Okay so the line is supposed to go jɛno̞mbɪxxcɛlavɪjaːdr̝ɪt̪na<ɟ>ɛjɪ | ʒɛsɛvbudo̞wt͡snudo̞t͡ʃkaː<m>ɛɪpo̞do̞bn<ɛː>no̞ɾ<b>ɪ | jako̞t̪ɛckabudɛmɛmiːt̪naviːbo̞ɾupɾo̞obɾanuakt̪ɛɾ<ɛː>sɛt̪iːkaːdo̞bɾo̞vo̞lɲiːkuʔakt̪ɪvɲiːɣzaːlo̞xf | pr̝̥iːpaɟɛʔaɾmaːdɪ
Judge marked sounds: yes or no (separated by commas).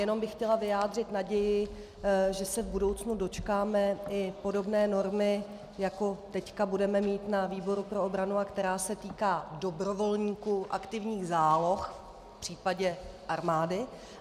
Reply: yes, yes, yes, no, no